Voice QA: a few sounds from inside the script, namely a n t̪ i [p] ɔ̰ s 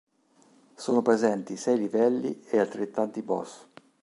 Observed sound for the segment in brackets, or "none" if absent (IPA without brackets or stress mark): b